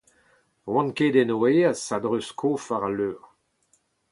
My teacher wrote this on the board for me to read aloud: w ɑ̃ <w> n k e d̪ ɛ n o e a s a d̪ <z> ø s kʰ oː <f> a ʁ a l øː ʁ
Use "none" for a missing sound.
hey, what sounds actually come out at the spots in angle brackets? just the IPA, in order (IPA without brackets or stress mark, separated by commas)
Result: none, ʁ, f